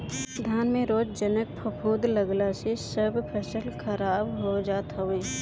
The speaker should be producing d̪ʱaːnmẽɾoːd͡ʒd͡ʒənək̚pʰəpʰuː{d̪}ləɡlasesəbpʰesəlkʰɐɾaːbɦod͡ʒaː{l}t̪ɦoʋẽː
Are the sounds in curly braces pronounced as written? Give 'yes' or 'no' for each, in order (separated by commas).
yes, no